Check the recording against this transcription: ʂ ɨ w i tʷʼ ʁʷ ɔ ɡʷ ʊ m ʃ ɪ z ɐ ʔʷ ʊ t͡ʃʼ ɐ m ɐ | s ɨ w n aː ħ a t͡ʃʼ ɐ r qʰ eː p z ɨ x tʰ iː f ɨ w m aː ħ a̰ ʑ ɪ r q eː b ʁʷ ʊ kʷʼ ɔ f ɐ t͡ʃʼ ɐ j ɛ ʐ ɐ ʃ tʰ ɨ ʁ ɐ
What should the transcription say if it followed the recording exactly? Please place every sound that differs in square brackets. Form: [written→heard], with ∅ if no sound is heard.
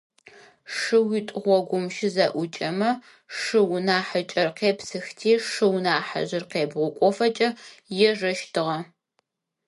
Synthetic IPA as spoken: ʂ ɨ w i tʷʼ ʁʷ ɔ ɡʷ ʊ m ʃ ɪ z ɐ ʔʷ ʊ t͡ʃʼ ɐ m ɐ | [s→ʂ] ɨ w n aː ħ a t͡ʃʼ ɐ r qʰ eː p [z→s] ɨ x tʰ iː [f→ʂ] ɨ w [m→n] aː ħ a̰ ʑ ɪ r q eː b ʁʷ ʊ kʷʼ ɔ f ɐ t͡ʃʼ ɐ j ɛ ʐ ɐ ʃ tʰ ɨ ʁ ɐ